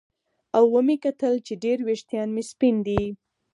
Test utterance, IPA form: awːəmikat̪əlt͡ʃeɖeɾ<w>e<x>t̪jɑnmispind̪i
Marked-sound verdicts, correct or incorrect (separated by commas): correct, incorrect